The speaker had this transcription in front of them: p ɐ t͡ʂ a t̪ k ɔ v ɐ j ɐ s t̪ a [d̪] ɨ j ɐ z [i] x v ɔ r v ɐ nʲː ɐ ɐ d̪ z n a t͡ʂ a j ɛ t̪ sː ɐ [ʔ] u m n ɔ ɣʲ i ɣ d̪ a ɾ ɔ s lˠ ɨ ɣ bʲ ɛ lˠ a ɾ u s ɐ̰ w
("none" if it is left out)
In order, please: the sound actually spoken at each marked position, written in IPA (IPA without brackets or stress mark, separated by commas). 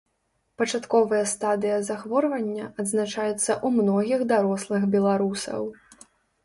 d̪, a, ʔ